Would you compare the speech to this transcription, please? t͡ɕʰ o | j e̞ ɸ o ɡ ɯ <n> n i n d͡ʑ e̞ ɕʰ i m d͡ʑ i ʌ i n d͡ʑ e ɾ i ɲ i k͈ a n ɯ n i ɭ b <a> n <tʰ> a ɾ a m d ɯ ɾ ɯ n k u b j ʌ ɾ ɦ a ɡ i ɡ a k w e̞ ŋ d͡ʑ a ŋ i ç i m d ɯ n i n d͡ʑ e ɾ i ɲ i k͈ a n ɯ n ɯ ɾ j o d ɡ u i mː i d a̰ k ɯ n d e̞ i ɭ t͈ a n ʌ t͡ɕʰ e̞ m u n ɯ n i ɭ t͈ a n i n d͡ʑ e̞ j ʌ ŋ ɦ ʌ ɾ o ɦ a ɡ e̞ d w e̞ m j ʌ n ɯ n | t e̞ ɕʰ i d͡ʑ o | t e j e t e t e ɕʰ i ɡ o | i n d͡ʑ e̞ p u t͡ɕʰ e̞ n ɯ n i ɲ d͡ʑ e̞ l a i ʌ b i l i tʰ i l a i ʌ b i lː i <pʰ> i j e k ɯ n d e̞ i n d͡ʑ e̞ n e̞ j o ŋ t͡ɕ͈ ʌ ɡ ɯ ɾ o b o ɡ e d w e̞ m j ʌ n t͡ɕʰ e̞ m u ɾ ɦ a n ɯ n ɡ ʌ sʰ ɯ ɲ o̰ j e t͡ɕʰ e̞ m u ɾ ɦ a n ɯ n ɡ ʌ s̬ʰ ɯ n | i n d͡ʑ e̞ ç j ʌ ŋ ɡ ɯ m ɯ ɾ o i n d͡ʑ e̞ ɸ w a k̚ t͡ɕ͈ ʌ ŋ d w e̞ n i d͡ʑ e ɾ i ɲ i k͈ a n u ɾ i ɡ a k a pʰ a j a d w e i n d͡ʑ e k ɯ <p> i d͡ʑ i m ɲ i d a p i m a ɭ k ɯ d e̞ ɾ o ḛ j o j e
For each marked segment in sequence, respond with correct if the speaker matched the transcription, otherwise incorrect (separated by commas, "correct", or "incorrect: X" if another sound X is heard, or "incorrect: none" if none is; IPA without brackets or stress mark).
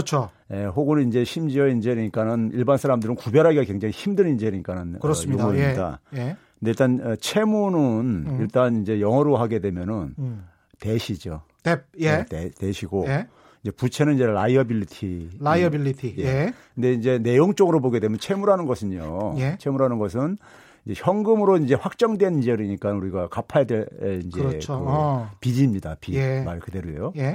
correct, correct, incorrect: sʰ, incorrect: tʰ, correct